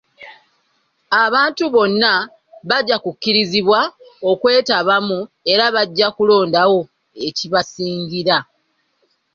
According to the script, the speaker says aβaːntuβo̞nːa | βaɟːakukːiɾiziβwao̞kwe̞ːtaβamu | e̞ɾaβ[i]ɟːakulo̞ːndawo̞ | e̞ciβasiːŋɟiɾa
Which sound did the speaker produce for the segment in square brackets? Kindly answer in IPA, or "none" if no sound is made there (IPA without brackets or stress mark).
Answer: a